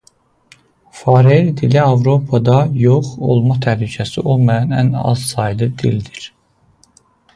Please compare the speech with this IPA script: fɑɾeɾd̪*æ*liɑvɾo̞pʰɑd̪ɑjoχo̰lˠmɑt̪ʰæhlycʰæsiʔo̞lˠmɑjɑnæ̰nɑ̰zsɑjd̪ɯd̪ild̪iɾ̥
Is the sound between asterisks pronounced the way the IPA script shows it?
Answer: no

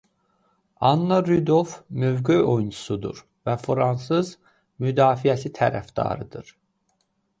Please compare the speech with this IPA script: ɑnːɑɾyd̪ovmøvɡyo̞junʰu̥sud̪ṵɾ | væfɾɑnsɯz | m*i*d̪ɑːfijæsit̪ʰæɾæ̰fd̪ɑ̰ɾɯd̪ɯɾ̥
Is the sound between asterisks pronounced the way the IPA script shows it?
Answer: no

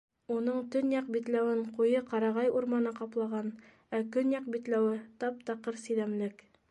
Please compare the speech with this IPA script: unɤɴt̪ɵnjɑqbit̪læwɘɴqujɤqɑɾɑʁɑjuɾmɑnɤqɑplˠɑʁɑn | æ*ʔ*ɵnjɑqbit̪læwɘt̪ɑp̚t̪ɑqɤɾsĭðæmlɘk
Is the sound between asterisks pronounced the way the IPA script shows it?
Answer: no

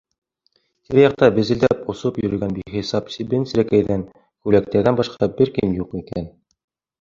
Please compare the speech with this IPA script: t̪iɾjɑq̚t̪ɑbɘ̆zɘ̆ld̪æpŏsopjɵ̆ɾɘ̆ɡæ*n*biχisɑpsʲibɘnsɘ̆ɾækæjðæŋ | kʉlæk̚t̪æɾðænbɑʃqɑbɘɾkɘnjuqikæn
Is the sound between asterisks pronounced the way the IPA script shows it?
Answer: yes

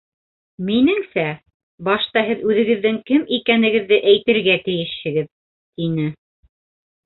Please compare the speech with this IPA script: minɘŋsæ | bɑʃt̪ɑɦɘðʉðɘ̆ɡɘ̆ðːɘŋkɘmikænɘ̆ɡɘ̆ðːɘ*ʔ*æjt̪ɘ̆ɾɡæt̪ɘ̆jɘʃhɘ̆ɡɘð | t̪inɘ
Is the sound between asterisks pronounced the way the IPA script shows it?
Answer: yes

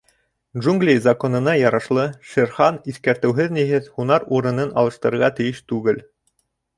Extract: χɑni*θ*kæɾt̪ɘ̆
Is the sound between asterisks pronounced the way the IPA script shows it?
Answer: yes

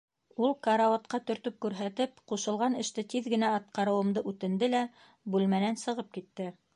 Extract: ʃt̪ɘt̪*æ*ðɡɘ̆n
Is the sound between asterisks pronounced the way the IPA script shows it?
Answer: no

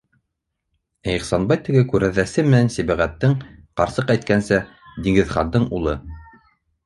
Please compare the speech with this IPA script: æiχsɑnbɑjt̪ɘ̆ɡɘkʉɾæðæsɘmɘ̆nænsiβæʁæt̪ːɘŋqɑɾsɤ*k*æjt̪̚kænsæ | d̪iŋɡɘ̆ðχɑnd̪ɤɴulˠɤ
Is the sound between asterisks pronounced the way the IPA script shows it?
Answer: no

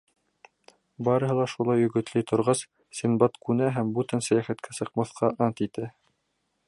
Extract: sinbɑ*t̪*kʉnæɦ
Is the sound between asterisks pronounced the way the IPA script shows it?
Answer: yes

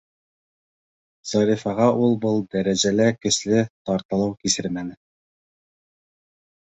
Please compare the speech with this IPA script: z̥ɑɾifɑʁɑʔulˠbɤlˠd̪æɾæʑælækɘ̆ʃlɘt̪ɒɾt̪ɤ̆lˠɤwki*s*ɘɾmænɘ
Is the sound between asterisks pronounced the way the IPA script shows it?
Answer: yes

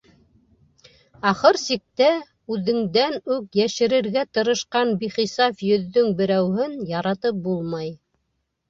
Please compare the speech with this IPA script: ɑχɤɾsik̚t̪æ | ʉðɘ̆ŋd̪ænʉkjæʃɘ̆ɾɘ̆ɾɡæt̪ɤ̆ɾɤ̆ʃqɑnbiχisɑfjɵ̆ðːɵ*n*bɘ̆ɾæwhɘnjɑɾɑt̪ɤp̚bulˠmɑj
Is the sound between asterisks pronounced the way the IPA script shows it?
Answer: no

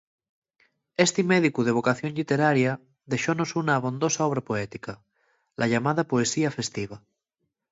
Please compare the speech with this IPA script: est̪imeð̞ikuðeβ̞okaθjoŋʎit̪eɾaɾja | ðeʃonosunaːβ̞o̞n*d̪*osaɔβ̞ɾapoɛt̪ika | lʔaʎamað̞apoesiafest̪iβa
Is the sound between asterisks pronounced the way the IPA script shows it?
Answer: yes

